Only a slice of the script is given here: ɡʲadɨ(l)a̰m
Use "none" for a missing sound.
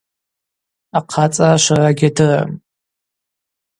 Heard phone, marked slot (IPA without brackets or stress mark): r